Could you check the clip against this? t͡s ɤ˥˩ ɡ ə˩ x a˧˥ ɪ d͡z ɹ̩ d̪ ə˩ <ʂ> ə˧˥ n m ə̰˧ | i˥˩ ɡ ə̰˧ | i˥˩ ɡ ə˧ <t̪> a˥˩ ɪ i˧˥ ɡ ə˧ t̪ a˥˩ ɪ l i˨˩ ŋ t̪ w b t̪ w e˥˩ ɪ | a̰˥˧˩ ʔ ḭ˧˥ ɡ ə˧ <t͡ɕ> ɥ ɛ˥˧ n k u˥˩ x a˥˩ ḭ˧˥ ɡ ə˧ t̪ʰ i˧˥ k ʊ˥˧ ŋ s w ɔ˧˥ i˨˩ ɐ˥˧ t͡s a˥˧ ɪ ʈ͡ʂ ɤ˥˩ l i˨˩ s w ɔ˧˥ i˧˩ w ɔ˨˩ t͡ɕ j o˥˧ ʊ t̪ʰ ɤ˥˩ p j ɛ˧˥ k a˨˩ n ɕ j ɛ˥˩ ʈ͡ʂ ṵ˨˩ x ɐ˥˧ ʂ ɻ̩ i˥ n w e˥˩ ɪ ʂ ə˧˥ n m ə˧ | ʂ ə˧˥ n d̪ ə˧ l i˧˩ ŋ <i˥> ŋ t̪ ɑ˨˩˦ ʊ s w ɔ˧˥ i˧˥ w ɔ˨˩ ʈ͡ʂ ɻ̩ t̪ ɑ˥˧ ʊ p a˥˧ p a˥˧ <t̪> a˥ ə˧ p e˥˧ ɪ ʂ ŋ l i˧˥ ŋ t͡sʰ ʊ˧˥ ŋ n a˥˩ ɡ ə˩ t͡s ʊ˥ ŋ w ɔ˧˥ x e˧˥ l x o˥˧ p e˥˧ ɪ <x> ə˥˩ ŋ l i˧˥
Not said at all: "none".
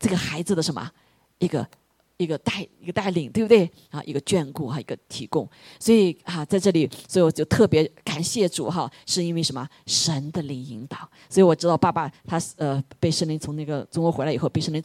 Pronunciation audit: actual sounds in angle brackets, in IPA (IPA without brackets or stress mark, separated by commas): ʂ, t̪, t͡ɕ, i˧˥, t̪ʰ, ʂ